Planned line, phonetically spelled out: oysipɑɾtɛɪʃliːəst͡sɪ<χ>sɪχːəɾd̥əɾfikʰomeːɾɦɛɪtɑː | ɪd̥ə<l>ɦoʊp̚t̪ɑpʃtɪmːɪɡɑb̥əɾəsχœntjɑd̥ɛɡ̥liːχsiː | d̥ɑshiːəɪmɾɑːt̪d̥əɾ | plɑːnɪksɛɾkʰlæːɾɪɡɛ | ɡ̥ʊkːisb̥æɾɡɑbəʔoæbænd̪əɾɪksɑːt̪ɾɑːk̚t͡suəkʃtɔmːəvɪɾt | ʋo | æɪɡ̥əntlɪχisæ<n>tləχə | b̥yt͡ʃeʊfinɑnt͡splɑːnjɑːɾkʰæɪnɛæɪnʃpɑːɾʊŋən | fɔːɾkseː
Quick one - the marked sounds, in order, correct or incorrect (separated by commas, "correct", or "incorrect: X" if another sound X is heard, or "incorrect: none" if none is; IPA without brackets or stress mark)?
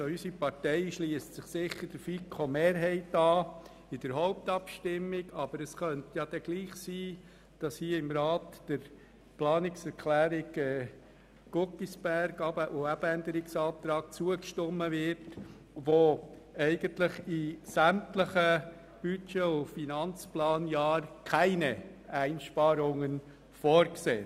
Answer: correct, incorrect: ɾ, incorrect: m